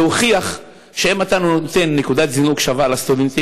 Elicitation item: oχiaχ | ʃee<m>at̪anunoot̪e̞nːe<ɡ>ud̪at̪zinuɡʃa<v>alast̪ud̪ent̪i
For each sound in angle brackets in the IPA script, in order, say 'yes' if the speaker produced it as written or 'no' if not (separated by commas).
yes, no, yes